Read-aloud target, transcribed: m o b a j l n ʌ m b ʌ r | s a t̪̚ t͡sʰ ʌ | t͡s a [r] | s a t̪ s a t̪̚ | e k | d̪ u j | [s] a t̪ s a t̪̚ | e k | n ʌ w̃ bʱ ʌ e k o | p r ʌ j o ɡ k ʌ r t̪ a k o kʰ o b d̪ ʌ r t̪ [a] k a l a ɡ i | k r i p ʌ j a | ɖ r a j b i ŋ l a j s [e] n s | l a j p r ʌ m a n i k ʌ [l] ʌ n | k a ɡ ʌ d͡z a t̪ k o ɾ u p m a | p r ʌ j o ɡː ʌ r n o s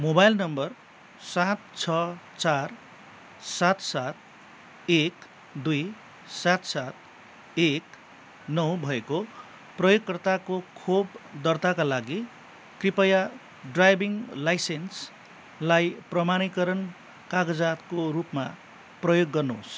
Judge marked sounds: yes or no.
yes, yes, yes, yes, no

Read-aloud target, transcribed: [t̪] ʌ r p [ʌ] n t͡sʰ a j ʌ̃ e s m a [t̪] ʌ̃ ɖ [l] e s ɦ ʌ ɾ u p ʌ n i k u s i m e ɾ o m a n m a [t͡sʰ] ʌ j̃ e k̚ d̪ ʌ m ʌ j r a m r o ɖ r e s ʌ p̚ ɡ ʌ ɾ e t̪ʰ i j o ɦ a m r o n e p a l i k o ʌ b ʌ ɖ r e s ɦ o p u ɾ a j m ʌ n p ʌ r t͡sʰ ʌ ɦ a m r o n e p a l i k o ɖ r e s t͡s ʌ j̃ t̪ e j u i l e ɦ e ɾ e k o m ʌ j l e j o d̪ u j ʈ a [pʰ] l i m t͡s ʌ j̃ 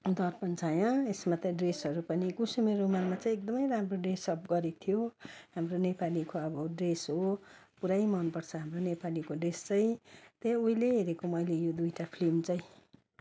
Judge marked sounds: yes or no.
no, yes, yes, no, no, yes

